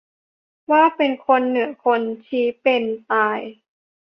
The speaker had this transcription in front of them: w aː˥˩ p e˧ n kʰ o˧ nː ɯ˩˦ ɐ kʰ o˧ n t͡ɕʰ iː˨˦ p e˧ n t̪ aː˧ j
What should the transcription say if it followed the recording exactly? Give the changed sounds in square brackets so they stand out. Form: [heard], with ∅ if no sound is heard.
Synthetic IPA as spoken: w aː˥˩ p e˧ n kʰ o˧ nː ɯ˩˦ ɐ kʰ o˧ n t͡ɕʰ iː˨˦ p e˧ n t̪ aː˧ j